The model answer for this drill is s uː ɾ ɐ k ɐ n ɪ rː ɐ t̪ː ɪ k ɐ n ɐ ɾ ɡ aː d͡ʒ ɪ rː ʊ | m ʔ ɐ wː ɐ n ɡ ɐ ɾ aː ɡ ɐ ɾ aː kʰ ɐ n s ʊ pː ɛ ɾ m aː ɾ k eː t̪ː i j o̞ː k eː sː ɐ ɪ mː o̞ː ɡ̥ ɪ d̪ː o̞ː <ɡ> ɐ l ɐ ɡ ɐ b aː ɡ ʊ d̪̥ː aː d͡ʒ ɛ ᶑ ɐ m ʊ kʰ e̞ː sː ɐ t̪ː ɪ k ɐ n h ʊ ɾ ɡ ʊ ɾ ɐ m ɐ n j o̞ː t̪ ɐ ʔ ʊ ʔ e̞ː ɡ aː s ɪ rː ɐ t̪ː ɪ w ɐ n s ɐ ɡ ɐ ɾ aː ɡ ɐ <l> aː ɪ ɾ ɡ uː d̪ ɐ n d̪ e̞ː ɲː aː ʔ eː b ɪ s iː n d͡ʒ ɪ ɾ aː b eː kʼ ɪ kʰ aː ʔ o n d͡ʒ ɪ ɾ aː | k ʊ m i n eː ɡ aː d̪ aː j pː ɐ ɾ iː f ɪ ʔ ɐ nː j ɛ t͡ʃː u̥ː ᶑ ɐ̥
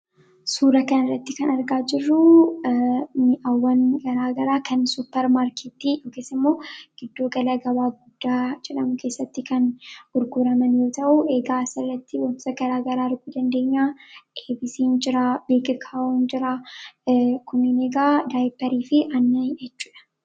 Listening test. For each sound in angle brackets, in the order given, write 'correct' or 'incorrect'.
correct, incorrect: ɾ

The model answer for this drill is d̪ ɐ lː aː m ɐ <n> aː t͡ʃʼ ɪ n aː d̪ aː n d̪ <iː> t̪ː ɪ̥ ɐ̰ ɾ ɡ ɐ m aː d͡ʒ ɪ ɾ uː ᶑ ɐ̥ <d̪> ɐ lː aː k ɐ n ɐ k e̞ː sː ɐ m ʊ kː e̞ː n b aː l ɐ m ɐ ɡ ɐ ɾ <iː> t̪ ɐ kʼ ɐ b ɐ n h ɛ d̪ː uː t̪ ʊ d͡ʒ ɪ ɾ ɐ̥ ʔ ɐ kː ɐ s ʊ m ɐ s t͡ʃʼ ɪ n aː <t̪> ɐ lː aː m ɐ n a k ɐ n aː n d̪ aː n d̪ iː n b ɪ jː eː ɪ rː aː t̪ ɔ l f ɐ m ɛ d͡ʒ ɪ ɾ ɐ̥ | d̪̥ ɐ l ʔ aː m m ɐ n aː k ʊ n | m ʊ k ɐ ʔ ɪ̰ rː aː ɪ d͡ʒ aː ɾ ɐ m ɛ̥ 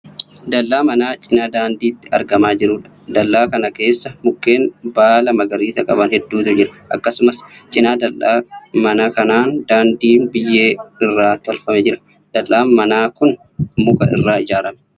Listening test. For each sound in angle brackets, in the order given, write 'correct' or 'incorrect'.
correct, correct, correct, correct, incorrect: d̪

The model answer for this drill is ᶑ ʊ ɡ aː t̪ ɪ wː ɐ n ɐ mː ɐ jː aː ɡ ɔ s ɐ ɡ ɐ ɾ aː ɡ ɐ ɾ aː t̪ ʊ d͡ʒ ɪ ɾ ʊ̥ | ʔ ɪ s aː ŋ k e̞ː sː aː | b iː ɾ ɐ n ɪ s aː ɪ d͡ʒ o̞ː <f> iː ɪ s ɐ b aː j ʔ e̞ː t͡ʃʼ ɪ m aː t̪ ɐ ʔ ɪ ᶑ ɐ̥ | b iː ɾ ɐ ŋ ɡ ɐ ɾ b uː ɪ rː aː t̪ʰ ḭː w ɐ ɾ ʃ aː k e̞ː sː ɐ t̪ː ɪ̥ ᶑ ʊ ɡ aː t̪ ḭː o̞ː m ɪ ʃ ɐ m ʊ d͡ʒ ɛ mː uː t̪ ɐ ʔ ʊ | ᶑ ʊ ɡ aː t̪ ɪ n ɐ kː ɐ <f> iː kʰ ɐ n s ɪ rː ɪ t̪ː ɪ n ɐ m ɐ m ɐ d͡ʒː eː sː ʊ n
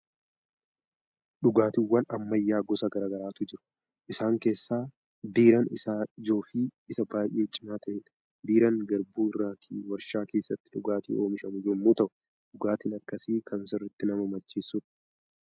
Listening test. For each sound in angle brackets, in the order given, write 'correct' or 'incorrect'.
correct, incorrect: s

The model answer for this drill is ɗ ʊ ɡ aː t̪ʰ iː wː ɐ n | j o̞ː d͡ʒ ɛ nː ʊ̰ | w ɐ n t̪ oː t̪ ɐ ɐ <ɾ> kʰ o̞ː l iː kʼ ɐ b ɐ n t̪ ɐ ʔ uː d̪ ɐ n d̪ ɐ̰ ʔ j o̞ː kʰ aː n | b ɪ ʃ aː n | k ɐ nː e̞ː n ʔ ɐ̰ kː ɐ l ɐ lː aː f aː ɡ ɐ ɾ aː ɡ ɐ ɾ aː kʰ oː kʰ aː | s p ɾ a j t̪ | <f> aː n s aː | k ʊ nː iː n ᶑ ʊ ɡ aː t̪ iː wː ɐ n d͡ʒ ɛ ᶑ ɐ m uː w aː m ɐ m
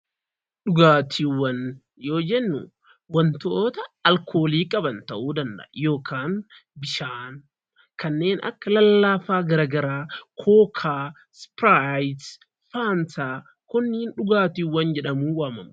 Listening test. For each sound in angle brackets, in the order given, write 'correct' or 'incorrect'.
incorrect: l, correct

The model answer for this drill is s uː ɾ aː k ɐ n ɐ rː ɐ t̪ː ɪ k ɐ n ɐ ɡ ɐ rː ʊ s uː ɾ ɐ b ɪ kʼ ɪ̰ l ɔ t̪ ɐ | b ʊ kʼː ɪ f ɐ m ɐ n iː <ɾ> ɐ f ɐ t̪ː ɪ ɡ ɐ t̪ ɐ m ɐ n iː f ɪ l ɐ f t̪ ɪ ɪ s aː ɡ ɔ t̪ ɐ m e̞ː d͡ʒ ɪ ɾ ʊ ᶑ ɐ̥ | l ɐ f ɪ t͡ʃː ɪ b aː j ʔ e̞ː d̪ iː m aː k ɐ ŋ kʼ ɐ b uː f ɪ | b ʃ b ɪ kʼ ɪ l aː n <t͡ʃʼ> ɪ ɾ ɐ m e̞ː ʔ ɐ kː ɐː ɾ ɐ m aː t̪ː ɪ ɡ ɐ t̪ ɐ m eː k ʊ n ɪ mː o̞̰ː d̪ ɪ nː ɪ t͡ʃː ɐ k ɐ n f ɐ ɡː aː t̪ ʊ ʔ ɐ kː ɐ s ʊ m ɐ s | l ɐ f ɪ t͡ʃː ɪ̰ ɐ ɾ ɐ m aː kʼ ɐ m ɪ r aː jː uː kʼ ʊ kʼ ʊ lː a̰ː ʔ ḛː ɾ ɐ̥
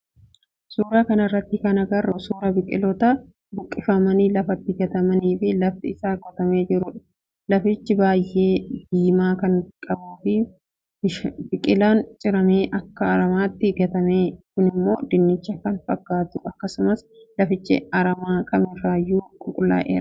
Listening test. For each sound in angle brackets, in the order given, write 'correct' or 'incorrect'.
incorrect: l, correct

